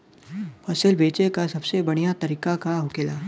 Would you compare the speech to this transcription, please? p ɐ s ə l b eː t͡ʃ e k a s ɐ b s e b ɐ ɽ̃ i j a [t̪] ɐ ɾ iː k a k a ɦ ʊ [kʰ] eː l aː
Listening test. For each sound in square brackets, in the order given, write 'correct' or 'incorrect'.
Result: correct, incorrect

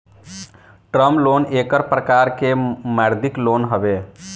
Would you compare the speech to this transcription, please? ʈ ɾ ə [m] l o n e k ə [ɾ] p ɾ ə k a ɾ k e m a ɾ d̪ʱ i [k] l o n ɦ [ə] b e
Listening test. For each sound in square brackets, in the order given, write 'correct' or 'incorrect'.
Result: correct, correct, correct, correct

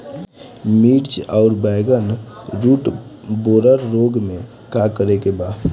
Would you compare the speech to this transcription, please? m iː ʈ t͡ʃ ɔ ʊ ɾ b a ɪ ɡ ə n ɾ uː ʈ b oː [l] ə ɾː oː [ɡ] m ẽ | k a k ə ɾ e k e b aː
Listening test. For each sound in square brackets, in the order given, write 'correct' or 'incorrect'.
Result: incorrect, correct

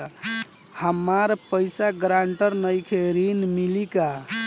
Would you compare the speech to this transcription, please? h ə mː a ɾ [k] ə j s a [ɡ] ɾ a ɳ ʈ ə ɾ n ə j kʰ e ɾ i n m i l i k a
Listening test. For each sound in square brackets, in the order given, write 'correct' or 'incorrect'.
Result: incorrect, correct

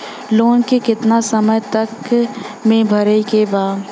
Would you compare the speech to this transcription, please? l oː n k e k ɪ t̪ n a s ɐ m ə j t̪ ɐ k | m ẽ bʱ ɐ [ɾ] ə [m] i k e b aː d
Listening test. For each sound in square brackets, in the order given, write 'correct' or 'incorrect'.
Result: correct, incorrect

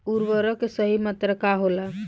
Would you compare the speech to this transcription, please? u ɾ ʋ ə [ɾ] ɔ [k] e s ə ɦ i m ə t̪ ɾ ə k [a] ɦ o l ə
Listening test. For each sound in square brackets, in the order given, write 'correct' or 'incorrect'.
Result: correct, correct, correct

